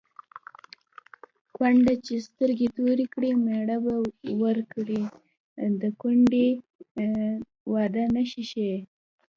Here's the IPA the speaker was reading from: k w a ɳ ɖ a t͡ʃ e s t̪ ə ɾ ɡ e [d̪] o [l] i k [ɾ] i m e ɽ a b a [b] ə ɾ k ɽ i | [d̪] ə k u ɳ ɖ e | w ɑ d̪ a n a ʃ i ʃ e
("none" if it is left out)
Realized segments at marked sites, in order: t̪, ɾ, ɽ, w, d̪

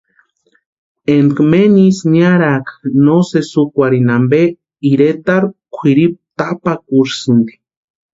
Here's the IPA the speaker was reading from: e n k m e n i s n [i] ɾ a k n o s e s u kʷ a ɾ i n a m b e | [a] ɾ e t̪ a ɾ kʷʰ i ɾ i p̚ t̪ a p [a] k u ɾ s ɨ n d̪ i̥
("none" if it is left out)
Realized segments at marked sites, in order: a, i, a

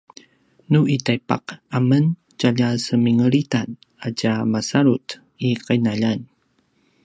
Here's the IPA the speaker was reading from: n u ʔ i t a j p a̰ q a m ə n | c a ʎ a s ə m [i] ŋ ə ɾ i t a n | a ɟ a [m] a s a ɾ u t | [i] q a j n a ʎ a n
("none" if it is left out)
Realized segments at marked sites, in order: i, m, i

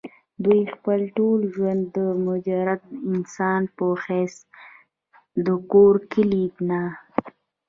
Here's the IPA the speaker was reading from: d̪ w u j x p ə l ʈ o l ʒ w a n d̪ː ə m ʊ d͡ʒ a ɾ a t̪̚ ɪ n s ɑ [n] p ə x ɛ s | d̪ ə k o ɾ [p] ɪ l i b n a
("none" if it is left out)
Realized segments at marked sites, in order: n, k

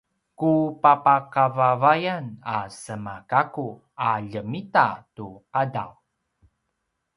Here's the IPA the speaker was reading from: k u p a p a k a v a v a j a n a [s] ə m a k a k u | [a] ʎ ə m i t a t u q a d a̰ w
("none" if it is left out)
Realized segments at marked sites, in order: s, a

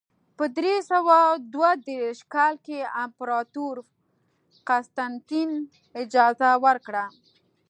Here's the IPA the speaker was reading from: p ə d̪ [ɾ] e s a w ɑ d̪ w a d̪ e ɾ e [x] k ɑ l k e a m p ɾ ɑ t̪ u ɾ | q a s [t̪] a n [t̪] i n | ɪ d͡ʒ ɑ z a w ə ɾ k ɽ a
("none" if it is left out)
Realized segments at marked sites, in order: ɾ, ʃ, t̪, t̪

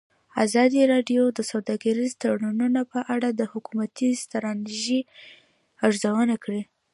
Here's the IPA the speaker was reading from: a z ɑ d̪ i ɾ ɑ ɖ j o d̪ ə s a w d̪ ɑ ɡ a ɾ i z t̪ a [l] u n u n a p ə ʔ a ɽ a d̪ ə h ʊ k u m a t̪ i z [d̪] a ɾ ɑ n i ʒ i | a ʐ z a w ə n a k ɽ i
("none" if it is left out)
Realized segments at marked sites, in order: ɽ, t̪

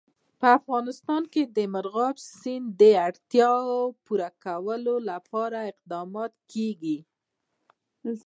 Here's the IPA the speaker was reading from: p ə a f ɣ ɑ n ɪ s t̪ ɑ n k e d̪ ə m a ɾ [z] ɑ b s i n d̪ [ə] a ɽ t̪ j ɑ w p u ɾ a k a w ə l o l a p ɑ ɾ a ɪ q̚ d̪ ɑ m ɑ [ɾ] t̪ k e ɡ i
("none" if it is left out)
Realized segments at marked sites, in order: ɣ, ə, none

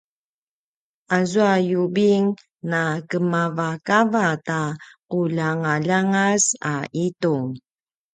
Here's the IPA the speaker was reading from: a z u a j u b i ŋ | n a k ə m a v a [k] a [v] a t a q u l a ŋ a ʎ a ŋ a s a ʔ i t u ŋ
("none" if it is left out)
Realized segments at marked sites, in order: k, v

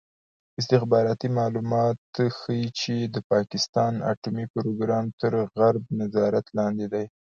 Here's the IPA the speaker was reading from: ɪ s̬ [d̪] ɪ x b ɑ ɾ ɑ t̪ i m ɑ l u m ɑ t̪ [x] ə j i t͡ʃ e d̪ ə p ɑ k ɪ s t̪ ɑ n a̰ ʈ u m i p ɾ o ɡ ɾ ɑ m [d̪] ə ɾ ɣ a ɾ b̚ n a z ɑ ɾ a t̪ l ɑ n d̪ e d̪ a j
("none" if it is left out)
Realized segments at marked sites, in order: t̪, x, t̪

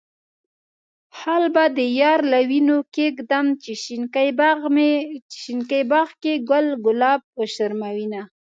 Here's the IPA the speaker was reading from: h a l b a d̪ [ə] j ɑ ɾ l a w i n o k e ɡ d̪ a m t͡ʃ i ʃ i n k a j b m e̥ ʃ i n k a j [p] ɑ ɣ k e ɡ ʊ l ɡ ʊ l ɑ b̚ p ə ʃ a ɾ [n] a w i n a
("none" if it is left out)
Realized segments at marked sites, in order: ə, b, m

